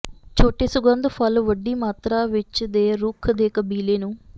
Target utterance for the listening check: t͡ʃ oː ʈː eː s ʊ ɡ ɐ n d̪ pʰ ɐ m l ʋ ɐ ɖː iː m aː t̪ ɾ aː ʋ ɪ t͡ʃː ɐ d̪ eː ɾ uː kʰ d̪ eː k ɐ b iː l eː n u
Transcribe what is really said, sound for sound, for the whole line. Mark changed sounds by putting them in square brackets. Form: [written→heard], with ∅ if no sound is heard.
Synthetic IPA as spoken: t͡ʃ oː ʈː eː s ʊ ɡ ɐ n d̪ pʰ ɐ [m→∅] l ʋ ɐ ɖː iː m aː t̪ ɾ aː ʋ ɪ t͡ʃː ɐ d̪ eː ɾ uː kʰ d̪ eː k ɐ b iː l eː n u